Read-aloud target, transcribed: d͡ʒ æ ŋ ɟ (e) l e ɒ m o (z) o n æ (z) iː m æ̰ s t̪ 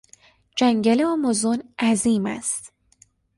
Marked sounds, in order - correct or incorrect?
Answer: incorrect: æ, correct, correct

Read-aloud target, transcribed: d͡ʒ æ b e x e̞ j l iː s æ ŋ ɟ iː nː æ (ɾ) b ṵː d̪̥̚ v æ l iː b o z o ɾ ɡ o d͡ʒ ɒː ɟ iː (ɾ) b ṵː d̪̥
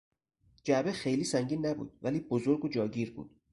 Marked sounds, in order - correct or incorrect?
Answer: incorrect: none, correct

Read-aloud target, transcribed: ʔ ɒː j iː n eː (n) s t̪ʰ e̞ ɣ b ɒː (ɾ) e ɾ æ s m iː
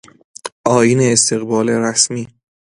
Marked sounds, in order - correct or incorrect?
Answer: incorrect: none, incorrect: l

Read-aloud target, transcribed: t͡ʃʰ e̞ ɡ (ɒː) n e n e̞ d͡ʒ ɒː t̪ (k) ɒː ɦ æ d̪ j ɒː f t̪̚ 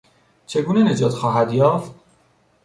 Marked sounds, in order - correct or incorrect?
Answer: incorrect: uː, incorrect: x

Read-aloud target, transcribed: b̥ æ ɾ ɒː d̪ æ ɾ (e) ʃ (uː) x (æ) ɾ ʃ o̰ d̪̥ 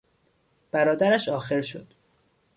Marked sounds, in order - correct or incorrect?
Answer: incorrect: æ, incorrect: ɒː, incorrect: e

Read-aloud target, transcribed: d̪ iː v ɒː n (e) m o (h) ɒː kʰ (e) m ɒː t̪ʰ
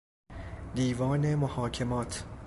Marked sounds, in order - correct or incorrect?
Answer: correct, correct, correct

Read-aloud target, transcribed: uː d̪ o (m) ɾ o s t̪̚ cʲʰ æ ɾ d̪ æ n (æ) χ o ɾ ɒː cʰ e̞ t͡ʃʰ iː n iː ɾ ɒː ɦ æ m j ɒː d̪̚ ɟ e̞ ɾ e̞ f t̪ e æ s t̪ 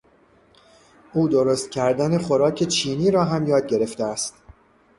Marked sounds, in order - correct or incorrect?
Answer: incorrect: none, incorrect: e

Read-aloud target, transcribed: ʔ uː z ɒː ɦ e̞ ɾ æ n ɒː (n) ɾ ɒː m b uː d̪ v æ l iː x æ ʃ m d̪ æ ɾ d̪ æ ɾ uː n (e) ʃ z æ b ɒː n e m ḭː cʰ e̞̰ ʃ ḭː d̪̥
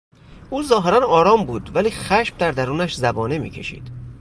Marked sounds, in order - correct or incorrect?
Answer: incorrect: none, incorrect: æ

